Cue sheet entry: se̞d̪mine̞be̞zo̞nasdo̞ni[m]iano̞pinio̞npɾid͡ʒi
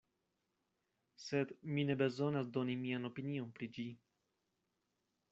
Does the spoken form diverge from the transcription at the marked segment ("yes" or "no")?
no